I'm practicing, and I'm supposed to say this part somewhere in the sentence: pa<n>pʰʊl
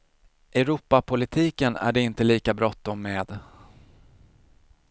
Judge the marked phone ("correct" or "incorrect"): incorrect